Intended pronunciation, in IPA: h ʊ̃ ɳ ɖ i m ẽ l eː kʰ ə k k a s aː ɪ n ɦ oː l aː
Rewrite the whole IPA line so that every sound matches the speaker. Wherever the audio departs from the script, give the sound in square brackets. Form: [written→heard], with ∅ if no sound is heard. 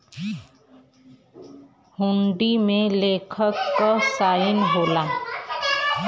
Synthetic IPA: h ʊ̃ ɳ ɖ i m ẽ l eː kʰ ə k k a s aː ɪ n ɦ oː l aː